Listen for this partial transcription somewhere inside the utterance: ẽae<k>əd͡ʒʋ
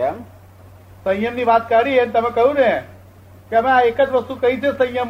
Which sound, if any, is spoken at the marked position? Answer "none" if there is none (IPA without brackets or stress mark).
k